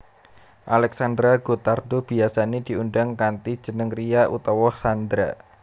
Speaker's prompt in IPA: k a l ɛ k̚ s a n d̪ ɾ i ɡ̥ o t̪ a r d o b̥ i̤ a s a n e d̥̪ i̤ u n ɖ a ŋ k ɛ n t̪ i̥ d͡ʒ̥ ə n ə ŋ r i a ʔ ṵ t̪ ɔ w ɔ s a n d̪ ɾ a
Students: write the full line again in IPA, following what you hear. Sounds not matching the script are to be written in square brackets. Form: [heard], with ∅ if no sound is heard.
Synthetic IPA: [ʔ] a l ɛ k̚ s a n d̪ ɾ [a] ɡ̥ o t̪ a r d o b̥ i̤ a s a n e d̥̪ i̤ u n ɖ a ŋ k [a] n t̪ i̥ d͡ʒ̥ ə n ə ŋ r i a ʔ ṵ t̪ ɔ w ɔ s a n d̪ ɾ a